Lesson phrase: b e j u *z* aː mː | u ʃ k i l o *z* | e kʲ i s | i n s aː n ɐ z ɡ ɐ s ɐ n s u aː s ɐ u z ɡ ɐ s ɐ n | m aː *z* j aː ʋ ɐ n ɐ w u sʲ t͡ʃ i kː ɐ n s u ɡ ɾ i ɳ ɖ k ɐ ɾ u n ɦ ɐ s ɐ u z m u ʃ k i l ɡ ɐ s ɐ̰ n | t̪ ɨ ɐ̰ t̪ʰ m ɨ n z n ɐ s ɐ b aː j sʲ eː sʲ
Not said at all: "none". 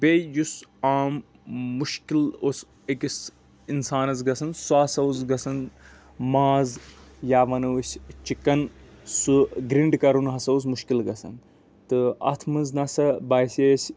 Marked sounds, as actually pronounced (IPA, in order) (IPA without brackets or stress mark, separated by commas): s, s, z